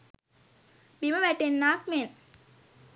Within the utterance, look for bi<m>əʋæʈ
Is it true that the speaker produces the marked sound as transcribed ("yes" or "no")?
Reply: yes